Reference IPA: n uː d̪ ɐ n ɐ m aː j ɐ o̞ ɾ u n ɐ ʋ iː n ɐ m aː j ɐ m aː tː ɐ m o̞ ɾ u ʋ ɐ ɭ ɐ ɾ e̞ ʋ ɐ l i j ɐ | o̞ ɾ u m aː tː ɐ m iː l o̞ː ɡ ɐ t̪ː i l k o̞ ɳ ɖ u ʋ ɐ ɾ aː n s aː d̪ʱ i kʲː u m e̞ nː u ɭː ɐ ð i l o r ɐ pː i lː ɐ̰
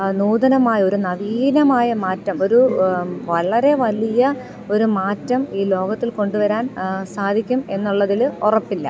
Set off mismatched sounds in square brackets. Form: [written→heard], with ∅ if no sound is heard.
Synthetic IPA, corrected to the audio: n uː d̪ ɐ n ɐ m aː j ɐ o̞ ɾ u n ɐ ʋ iː n ɐ m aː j ɐ m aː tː ɐ m o̞ ɾ u ʋ ɐ ɭ ɐ ɾ e̞ ʋ ɐ l i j ɐ | o̞ ɾ u m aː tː ɐ m iː l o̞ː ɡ ɐ t̪ː i l k o̞ ɳ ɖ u ʋ ɐ ɾ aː n s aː d̪ʱ i kʲː u m e̞ nː u ɭː ɐ ð i l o r ɐ pː i lː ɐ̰

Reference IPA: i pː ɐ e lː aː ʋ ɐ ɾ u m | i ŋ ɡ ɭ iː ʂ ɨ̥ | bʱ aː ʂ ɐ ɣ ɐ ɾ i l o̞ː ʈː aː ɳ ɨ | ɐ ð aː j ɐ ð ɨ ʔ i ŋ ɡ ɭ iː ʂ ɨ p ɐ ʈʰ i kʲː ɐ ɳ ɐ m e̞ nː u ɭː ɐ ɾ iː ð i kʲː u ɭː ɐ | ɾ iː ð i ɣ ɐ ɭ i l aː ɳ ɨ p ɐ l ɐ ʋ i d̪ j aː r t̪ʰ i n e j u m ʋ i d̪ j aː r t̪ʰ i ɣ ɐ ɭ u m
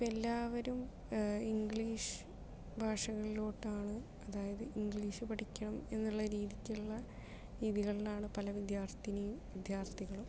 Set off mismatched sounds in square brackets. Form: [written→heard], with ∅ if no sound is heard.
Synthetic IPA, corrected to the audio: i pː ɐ e lː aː ʋ ɐ ɾ u m | i ŋ ɡ ɭ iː ʂ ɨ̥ | bʱ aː ʂ ɐ ɣ ɐ [ɾ→ɭ] i l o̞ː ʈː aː ɳ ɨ | ɐ ð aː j ɐ ð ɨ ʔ i ŋ ɡ ɭ iː ʂ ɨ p ɐ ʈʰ i kʲː ɐ ɳ ɐ m e̞ nː u ɭː ɐ ɾ iː ð i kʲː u ɭː ɐ | ɾ iː ð i ɣ ɐ ɭ i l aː ɳ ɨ p ɐ l ɐ ʋ i d̪ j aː r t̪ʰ i n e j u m ʋ i d̪ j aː r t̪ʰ i ɣ ɐ ɭ u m

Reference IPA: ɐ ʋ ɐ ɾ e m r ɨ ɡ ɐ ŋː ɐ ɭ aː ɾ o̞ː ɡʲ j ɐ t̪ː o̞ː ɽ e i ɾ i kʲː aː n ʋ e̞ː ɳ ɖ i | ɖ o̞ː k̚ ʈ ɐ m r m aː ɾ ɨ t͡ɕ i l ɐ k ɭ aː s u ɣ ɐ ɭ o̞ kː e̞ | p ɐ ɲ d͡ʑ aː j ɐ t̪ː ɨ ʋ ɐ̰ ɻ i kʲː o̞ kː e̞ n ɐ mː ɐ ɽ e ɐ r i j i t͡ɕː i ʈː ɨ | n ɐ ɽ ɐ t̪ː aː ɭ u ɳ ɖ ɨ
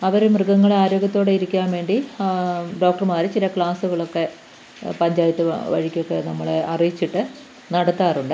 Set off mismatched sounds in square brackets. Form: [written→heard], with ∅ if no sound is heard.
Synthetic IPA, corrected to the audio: ɐ ʋ ɐ ɾ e m r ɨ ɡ ɐ ŋː ɐ ɭ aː ɾ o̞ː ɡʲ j ɐ t̪ː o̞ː ɽ e i ɾ i kʲː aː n ʋ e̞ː ɳ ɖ i | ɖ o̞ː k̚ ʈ ɐ [m→∅] r m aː ɾ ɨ t͡ɕ i l ɐ k ɭ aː s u ɣ ɐ ɭ o̞ kː e̞ | p ɐ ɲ d͡ʑ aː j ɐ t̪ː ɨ ʋ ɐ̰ ɻ i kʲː o̞ kː e̞ n ɐ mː ɐ [ɽ→ɭ] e ɐ r i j i t͡ɕː i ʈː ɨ | n ɐ ɽ ɐ t̪ː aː [ɭ→r] u ɳ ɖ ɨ

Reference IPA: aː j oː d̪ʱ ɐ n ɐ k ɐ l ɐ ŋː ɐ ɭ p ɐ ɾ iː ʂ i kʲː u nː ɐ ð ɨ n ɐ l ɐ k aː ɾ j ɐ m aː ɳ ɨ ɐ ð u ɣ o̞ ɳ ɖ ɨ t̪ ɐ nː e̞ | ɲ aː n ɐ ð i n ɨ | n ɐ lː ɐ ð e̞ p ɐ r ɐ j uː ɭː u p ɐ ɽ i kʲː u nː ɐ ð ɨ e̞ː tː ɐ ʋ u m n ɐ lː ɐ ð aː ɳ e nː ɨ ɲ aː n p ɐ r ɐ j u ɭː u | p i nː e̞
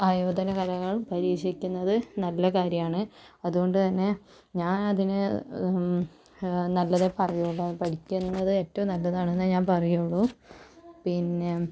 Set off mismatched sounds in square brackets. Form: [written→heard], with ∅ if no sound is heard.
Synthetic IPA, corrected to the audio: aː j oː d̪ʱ ɐ n ɐ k ɐ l ɐ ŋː ɐ ɭ p ɐ ɾ iː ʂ i kʲː u nː ɐ ð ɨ n ɐ [l→lː] ɐ k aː ɾ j ɐ m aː ɳ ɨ ɐ ð u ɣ o̞ ɳ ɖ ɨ t̪ ɐ nː e̞ | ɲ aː n ɐ ð i n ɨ | n ɐ lː ɐ ð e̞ p ɐ r ɐ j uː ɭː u p ɐ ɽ i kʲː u nː ɐ ð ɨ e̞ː tː ɐ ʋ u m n ɐ lː ɐ ð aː ɳ e nː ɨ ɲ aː n p ɐ r ɐ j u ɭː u | p i nː e̞

